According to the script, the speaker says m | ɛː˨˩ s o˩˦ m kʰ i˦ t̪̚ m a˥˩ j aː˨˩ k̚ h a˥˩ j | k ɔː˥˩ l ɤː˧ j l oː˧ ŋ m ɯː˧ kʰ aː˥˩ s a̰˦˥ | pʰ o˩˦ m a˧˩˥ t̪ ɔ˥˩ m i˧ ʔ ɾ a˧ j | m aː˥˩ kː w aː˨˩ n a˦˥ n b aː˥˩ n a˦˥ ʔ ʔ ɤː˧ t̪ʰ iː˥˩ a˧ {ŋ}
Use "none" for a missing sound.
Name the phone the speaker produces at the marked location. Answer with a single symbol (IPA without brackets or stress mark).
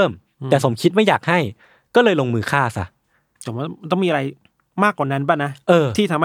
m